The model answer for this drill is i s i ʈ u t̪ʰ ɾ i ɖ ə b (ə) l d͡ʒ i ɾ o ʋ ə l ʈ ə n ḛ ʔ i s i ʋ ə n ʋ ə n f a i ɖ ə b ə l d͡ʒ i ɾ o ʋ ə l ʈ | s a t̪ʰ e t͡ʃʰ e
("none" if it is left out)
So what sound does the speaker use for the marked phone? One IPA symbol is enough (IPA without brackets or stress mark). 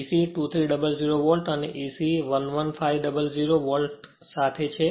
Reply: ə